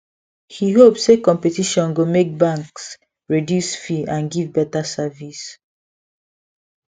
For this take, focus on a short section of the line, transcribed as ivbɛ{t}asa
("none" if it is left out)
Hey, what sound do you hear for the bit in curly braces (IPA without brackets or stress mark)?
t